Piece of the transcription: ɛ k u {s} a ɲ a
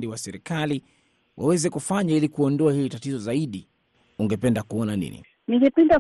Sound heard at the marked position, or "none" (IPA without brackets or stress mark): f